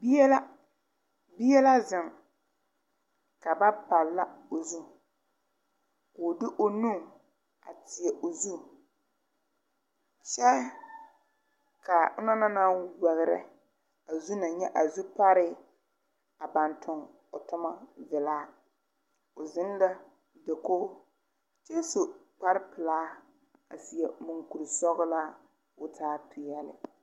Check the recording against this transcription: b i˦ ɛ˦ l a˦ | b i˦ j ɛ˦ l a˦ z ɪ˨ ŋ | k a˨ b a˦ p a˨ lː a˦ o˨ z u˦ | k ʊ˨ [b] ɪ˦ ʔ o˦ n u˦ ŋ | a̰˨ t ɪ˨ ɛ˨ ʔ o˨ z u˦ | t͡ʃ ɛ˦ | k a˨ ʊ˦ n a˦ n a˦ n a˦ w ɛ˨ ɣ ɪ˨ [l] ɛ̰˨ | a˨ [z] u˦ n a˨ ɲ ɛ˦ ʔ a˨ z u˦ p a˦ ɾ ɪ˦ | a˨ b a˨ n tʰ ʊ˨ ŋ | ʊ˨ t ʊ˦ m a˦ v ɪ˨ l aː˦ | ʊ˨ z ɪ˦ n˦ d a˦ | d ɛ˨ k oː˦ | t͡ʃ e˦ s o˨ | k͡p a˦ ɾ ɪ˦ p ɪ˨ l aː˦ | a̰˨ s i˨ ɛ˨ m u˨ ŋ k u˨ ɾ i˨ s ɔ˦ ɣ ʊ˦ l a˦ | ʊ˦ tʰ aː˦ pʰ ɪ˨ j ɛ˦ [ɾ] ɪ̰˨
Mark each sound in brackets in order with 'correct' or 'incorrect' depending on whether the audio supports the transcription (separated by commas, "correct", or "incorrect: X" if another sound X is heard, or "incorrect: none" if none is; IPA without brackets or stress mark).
incorrect: d, incorrect: ɾ, correct, incorrect: l